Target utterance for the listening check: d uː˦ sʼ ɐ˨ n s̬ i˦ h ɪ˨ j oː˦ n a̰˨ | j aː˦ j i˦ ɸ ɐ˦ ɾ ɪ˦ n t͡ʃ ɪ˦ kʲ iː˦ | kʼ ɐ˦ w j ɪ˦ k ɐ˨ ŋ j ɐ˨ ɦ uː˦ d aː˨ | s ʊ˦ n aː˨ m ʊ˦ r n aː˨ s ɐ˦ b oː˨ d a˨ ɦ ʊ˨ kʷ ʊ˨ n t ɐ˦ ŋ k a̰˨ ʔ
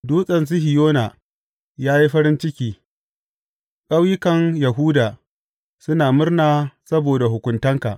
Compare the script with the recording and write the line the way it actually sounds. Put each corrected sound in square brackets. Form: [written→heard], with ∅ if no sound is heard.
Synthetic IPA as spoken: d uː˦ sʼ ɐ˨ n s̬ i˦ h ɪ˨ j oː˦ n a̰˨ | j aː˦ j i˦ ɸ ɐ˦ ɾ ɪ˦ n t͡ʃ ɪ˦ kʲ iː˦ | kʼ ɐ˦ w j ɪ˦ k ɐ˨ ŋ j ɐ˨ ɦ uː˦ d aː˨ | s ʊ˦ n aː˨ m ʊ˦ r n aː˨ s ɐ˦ b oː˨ d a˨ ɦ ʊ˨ kʷ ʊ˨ n t ɐ˦ ŋ k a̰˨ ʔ